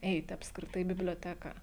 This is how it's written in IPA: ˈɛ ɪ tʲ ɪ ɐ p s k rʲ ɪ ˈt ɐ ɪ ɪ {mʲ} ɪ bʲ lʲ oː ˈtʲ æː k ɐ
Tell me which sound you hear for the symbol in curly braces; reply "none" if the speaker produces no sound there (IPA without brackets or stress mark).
bʲ